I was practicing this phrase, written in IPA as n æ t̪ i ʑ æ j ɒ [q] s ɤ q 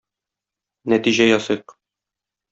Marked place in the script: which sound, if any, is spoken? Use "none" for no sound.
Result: none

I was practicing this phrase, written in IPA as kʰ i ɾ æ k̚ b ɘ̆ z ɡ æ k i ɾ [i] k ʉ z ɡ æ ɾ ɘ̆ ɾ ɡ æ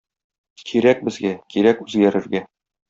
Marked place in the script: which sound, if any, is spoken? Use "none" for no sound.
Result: æ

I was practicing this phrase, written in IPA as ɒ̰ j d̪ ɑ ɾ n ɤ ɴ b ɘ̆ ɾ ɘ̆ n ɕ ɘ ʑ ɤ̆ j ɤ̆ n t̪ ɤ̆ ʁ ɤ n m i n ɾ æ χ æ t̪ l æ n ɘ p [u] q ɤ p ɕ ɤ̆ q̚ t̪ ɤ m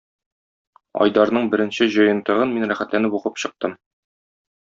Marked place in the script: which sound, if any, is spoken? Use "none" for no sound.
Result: u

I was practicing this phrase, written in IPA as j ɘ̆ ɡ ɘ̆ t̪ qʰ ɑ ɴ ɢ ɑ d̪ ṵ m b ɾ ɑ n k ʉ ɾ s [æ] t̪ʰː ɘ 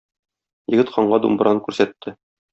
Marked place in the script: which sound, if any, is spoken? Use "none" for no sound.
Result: æ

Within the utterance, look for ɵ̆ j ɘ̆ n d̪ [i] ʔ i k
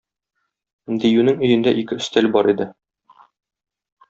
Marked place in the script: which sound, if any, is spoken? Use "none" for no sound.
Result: æ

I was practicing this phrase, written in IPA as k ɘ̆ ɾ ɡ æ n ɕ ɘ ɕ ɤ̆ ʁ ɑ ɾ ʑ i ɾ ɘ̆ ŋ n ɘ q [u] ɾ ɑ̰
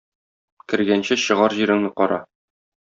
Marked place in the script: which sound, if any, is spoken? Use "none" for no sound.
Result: ɒ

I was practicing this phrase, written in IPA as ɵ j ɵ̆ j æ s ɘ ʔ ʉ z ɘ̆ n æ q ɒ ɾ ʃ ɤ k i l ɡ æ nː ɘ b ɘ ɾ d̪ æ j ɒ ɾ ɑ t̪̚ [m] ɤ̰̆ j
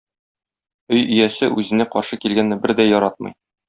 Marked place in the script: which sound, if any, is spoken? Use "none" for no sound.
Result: m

